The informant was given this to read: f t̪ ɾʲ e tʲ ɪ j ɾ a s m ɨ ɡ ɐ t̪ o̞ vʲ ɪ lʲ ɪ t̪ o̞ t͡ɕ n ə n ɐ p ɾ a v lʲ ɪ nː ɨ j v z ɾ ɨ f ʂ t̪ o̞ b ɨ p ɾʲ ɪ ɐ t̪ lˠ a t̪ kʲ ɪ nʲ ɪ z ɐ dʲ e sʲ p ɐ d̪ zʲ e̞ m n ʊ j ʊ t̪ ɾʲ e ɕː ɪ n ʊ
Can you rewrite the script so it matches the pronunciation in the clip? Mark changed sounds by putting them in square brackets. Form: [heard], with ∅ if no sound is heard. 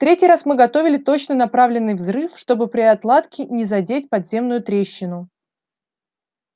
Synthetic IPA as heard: f t̪ ɾʲ e tʲ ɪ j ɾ a s m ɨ ɡ ɐ t̪ o̞ vʲ ɪ lʲ ɪ t̪ o̞ t͡ɕ n ə n ɐ p ɾ a v lʲ ɪ nː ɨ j v z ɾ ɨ f ʂ t̪ o̞ b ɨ p ɾʲ ɪ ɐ t̪ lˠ a t̪ kʲ ɪ nʲ ɪ z ɐ dʲ e [tʲ] p ɐ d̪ zʲ e̞ m n ʊ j ʊ t̪ ɾʲ e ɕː ɪ n ʊ

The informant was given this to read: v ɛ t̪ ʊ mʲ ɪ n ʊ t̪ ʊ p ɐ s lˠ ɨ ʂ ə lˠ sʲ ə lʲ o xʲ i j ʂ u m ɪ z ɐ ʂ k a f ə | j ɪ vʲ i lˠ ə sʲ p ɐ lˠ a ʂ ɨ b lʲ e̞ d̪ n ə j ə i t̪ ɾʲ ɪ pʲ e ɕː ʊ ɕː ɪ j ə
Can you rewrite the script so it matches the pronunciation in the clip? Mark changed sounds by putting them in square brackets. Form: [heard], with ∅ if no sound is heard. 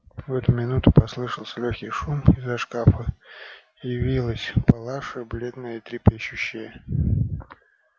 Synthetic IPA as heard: v ɛ t̪ ʊ mʲ ɪ n [u] t̪ ʊ p ɐ s lˠ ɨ ʂ ə lˠ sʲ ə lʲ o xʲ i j ʂ u m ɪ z ɐ ʂ k a f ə | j ɪ vʲ i lˠ ə sʲ p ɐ lˠ a ʂ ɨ b lʲ e̞ d̪ n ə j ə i t̪ ɾʲ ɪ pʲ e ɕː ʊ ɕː ɪ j ə

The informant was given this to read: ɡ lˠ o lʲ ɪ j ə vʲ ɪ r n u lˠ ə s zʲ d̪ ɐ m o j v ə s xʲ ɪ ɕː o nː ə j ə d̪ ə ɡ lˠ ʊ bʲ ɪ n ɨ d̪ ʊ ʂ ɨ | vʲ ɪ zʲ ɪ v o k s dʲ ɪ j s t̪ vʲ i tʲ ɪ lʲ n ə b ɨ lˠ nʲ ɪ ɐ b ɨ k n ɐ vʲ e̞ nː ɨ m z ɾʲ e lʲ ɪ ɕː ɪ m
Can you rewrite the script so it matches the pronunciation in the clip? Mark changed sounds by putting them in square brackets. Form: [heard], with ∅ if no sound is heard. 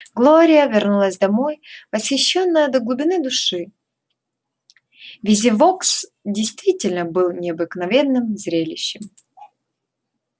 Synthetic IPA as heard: ɡ lˠ o [ɾʲ] ɪ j ə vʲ ɪ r n u lˠ ə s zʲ d̪ ɐ m o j v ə s xʲ ɪ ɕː o nː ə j ə d̪ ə ɡ lˠ ʊ bʲ ɪ n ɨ d̪ ʊ ʂ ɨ | vʲ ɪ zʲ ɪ v o k s dʲ ɪ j s t̪ vʲ i tʲ ɪ lʲ n ə b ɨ lˠ nʲ ɪ ɐ b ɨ k n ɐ vʲ e̞ nː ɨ m z ɾʲ e lʲ ɪ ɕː ɪ m

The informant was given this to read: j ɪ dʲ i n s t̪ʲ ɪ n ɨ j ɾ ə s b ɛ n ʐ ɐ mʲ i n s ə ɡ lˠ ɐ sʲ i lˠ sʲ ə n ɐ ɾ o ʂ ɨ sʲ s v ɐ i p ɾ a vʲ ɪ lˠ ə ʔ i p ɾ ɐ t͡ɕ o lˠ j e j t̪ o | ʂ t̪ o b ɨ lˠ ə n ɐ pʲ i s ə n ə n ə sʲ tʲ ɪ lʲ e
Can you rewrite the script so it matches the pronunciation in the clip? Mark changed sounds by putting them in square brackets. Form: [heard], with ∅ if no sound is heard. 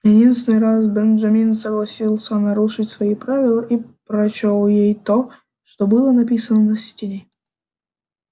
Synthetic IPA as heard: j ɪ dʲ i n s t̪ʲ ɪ n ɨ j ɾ [a] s b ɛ n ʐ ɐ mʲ i n s ə ɡ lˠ ɐ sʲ i lˠ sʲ ə n ɐ ɾ [u] ʂ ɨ [tʲ] s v ɐ i p ɾ a vʲ ɪ lˠ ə ʔ i p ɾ ɐ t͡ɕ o lˠ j e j t̪ o | ʂ t̪ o b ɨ lˠ ə n ɐ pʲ i s ə n ə n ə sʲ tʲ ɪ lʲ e

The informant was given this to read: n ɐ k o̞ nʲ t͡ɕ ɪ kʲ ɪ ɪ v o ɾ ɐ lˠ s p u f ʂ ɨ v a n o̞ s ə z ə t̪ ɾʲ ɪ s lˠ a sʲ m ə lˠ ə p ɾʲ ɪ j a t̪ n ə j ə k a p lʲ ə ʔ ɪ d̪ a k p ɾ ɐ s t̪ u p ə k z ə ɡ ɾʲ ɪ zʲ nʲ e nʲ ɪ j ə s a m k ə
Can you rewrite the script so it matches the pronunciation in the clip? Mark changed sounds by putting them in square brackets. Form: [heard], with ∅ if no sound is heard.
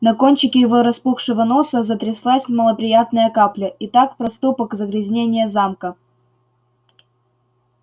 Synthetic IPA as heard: n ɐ k o̞ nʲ t͡ɕ ɪ kʲ ɪ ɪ v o ɾ ɐ [∅] s p u [x] ʂ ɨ v [ə] n o̞ s ə z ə t̪ ɾʲ ɪ s lˠ a sʲ m ə lˠ ə p ɾʲ ɪ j a t̪ n ə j ə k a p lʲ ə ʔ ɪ [t̪] a k p ɾ ɐ s t̪ u p ə k z ə ɡ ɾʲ ɪ zʲ nʲ e nʲ ɪ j ə [z] a m k ə

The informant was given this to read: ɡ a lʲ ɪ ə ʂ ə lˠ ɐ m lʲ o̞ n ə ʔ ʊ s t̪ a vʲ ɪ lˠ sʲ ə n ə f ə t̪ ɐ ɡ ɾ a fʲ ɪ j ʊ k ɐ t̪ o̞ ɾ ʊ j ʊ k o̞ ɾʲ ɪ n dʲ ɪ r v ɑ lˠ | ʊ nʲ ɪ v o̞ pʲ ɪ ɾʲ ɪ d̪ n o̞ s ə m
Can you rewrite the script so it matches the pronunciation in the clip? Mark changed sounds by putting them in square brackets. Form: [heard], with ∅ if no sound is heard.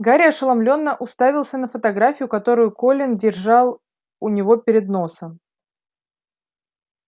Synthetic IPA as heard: ɡ a [ɾʲ] ɪ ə ʂ ə lˠ ɐ m lʲ o̞ [nː] ə ʔ ʊ s t̪ a vʲ ɪ lˠ sʲ ə n ə f ə t̪ ɐ ɡ ɾ a fʲ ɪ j ʊ k ɐ t̪ o̞ ɾ ʊ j ʊ k o̞ [lʲ] ɪ n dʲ ɪ r [ʐ] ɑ lˠ | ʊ nʲ ɪ v o̞ pʲ ɪ ɾʲ ɪ d̪ n o̞ s ə m

